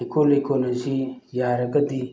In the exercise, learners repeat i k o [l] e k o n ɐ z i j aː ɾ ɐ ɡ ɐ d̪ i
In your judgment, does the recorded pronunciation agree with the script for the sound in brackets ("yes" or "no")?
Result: yes